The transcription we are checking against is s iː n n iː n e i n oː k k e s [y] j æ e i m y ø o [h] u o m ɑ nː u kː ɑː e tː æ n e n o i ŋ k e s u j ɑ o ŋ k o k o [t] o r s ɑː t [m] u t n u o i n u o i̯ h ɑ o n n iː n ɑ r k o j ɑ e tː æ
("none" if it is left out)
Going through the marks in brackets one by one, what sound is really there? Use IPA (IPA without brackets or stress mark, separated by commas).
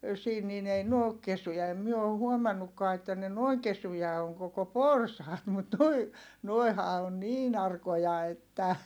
y, h, p, m